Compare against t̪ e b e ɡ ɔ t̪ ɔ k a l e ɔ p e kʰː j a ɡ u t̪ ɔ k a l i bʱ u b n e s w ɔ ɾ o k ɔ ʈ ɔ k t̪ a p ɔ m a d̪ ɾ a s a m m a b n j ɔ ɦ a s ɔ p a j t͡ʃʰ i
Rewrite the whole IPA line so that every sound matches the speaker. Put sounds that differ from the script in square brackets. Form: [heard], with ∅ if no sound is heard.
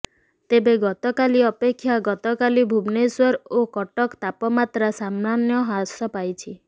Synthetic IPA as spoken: t̪ e b e ɡ ɔ t̪ ɔ k a l [i] ɔ p e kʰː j a ɡ [ɔ] t̪ ɔ k a l i bʱ u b n e s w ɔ ɾ o k ɔ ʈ ɔ k t̪ a p ɔ m a [t̪] ɾ a s a m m a [∅] n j ɔ ɦ a s ɔ p a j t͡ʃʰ i